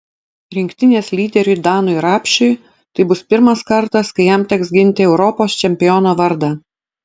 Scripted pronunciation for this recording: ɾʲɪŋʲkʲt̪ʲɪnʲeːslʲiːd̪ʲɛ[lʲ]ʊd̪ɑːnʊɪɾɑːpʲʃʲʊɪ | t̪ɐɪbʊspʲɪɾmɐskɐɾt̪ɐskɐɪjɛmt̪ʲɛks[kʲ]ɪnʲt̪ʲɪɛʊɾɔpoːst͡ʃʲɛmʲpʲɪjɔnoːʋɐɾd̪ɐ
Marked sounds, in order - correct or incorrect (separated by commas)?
incorrect, incorrect